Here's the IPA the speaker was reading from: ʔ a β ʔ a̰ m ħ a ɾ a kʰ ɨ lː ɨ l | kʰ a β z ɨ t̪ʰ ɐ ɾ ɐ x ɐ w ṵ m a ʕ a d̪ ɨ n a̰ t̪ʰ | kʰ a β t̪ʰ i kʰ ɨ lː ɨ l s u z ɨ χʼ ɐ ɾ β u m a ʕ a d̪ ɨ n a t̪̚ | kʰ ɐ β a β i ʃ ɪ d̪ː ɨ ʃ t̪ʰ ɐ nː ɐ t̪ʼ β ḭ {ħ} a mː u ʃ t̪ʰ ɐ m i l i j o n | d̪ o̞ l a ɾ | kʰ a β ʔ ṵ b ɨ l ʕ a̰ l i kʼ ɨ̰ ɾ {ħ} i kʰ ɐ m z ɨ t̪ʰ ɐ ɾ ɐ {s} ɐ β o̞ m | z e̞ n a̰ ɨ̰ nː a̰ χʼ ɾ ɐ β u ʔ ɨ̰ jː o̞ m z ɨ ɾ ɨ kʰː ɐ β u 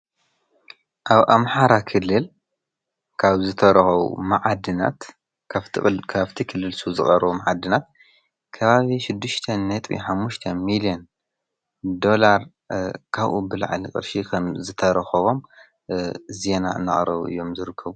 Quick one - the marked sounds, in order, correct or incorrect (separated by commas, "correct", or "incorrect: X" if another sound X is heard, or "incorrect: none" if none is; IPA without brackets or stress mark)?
correct, incorrect: ʃ, incorrect: x